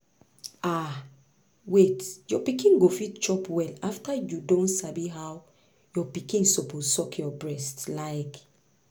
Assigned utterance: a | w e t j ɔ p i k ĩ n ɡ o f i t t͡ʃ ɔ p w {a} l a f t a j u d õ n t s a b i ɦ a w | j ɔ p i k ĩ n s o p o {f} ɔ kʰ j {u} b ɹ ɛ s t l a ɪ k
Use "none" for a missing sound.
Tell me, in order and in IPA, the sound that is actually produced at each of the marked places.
ɛ, s, ɔ

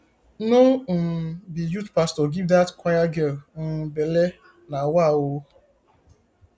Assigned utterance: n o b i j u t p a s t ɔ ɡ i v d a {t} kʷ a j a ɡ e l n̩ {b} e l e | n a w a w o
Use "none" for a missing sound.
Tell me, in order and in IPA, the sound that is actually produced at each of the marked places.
t, b

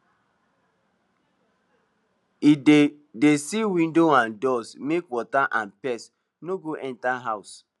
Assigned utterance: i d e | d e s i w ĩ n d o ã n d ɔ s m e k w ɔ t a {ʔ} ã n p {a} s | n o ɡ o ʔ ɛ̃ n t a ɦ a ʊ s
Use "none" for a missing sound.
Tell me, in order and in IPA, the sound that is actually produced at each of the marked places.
ʔ, ɛ

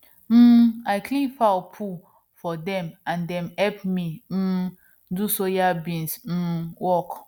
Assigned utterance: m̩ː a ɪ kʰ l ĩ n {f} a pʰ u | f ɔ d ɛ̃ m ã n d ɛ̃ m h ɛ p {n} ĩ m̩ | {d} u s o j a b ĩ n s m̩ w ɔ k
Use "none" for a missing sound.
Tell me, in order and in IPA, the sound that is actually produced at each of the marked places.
f, m, d

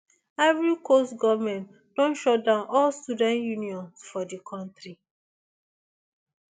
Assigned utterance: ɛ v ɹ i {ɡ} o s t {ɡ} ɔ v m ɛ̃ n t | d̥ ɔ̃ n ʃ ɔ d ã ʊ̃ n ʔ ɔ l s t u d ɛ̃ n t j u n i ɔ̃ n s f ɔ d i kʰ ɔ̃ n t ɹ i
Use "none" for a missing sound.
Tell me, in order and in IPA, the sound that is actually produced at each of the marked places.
k, ɡ

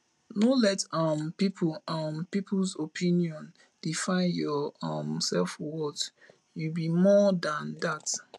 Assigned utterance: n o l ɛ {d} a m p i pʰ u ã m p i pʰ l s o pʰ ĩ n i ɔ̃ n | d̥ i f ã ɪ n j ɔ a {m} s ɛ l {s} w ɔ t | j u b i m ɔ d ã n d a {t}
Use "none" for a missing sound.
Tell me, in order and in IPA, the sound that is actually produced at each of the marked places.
t, m, f, t

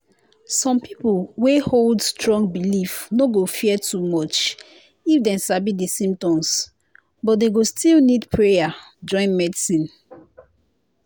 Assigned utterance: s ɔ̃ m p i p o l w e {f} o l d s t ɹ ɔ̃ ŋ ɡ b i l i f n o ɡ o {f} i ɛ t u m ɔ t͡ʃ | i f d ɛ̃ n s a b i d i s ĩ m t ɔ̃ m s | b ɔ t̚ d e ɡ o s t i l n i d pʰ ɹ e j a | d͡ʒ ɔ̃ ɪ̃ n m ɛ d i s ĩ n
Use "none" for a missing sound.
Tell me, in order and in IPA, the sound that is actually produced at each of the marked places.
h, f

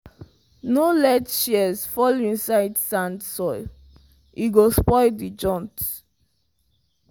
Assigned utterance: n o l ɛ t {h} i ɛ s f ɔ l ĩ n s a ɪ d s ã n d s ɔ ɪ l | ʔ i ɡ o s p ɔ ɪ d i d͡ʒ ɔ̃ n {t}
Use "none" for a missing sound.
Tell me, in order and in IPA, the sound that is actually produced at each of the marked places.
ʃ, t

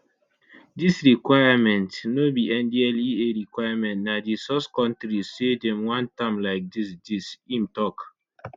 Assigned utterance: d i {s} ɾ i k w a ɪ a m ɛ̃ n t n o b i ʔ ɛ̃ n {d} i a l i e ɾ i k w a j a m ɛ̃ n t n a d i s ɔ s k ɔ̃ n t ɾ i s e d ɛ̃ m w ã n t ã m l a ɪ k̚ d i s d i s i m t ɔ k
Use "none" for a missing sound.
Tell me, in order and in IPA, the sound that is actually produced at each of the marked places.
s, d

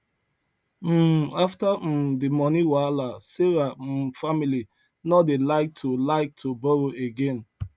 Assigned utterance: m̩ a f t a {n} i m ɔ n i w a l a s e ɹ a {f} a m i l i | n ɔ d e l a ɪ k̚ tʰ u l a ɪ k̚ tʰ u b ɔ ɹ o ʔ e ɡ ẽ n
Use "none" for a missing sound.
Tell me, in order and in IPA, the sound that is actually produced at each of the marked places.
d, f

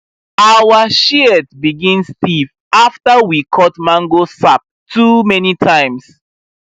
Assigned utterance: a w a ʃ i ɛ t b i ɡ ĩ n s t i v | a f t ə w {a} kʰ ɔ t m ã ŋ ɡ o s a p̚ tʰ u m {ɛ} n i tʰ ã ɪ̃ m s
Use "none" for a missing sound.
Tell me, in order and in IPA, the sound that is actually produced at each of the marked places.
i, ɛ

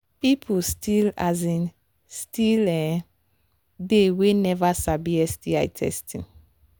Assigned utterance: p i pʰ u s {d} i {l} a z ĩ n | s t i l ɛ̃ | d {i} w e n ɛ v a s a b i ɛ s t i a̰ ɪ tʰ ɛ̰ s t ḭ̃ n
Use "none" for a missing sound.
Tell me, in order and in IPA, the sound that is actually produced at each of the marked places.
t, l, e

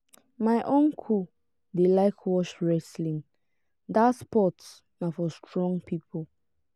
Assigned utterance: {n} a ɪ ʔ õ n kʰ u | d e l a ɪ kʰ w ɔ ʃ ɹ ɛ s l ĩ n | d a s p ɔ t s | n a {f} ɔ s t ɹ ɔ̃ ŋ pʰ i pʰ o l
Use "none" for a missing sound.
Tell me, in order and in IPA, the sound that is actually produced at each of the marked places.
m, f

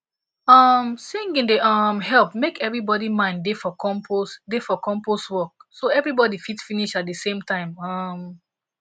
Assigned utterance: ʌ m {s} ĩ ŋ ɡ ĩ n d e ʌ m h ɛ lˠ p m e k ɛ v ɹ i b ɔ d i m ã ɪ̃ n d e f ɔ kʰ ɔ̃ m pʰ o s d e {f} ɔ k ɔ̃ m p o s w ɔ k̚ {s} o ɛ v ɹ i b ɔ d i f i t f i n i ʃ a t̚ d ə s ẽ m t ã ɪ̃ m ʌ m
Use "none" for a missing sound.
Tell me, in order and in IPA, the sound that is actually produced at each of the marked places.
s, f, s

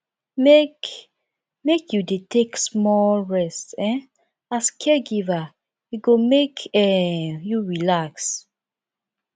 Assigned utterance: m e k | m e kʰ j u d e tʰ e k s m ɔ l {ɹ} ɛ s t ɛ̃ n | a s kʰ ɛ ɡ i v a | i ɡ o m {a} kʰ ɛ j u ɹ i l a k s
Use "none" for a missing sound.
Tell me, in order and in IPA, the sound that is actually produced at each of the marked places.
ɹ, e

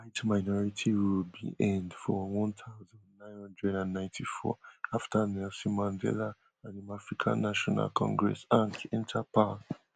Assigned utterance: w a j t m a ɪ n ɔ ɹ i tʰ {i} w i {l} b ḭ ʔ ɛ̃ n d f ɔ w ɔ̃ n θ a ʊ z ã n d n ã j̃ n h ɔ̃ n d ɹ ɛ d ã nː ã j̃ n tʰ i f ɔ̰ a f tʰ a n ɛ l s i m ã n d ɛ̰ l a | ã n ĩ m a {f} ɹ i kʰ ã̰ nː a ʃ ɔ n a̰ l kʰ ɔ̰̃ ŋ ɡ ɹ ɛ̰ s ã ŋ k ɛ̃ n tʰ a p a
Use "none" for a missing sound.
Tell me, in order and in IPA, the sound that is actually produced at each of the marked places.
i, l, f

